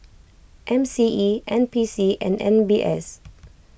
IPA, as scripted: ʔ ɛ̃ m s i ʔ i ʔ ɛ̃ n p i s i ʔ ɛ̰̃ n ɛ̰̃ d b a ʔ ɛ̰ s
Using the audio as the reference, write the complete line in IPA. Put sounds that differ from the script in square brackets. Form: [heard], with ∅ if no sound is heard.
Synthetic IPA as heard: ʔ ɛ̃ m s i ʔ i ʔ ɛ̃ n p i s i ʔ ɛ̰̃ n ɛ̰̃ [n] b [i] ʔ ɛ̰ s